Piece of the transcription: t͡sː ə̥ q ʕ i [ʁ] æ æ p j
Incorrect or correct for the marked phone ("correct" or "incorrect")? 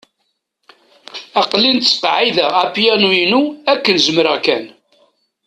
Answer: incorrect